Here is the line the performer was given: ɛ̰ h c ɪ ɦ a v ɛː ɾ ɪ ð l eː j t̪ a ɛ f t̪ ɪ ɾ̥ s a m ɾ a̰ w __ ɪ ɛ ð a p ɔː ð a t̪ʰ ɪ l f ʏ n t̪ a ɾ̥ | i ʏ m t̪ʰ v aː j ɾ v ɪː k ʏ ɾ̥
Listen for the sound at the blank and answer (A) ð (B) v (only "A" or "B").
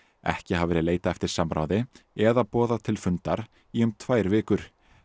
A